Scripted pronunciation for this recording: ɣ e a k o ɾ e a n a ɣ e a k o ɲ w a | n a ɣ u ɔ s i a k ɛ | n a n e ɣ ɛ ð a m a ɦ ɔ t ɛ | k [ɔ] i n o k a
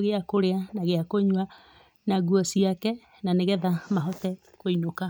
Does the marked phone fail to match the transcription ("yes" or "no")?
yes